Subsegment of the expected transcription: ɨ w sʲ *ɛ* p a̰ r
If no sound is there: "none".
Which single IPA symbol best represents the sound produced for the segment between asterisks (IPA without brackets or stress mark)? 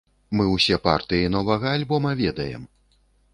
ɛ